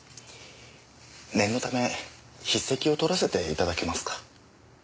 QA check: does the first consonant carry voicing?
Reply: yes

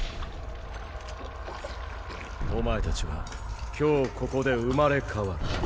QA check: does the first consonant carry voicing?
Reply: yes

